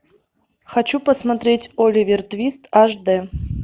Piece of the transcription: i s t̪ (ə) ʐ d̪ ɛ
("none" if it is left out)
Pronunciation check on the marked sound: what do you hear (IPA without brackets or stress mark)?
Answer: a